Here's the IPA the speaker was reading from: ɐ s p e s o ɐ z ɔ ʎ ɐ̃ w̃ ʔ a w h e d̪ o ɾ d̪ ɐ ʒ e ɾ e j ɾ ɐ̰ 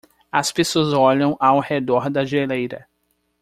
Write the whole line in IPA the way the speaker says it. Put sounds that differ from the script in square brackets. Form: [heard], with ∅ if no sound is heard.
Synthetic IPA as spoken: ɐ s p e s o ɐ z ɔ ʎ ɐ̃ w̃ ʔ a w h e d̪ [ɔ] ɾ d̪ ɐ ʒ e [l] e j ɾ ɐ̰